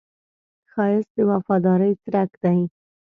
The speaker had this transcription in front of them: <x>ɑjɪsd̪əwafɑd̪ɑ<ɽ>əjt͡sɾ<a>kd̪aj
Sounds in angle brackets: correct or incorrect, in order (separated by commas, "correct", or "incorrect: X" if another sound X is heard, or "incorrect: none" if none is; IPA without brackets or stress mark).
correct, incorrect: ɾ, correct